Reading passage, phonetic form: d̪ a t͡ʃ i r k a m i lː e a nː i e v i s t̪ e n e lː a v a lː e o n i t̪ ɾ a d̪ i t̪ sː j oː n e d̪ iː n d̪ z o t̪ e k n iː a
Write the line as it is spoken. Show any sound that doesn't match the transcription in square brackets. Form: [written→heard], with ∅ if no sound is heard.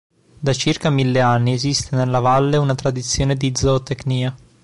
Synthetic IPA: d̪ a t͡ʃ i r k a m i lː e a nː i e [v→z] i s t̪ e n e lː a v a lː e [o→u] n [i→a] t̪ ɾ a d̪ i t̪ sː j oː n e d̪ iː [n→∅] d̪ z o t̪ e k n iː a